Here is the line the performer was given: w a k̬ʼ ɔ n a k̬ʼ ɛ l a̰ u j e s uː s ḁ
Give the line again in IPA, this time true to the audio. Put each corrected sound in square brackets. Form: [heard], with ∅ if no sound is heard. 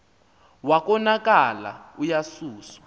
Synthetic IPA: w a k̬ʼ ɔ n a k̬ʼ [a] l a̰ u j [a] s uː s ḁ